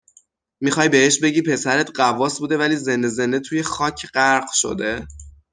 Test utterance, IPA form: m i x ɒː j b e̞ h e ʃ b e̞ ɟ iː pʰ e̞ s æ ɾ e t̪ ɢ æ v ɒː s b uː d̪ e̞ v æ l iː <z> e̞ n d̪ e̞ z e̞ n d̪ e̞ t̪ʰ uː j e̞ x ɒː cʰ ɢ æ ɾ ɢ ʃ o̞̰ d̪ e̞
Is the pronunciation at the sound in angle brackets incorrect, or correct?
correct